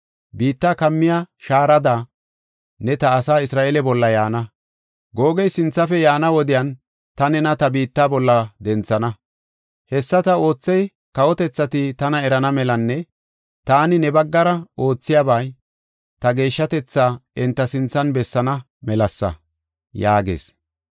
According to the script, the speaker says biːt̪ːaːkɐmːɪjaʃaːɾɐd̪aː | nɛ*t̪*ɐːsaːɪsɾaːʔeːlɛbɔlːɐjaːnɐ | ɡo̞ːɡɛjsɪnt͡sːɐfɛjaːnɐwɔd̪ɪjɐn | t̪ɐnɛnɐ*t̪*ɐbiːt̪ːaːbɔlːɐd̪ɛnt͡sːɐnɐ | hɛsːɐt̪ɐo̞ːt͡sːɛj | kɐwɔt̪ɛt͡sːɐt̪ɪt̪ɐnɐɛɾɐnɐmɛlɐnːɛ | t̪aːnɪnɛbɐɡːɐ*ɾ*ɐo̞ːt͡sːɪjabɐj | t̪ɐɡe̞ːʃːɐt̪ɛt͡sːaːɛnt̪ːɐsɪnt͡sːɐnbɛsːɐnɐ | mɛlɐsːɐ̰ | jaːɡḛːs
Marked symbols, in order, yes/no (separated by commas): yes, yes, yes